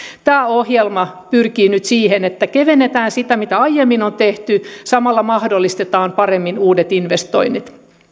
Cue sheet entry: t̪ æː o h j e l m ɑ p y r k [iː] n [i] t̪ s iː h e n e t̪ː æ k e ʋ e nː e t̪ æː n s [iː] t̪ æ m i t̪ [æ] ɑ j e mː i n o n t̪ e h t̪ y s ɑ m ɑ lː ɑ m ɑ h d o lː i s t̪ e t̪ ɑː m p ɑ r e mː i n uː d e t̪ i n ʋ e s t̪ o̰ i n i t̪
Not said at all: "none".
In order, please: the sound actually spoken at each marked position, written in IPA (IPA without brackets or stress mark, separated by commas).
iː, y, i, æ